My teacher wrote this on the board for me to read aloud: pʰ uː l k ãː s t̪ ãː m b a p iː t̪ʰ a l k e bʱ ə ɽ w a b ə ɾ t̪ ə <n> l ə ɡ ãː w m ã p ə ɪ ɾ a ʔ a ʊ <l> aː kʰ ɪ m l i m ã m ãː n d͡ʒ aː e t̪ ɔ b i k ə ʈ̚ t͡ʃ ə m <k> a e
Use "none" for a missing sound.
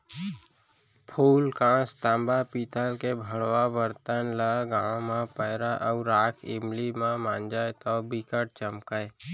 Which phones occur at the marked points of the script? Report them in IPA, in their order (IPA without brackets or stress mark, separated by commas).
n, ɾ, k